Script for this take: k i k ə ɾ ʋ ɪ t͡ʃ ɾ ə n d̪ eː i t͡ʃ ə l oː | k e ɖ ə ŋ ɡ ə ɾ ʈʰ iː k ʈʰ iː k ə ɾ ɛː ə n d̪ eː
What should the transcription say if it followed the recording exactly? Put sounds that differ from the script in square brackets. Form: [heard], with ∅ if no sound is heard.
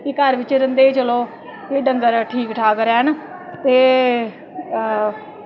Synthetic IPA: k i k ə ɾ ʋ ɪ t͡ʃ ɾ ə n d̪ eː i t͡ʃ ə l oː | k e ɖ ə ŋ ɡ ə ɾ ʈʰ iː k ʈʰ [aː] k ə ɾ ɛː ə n [t̪] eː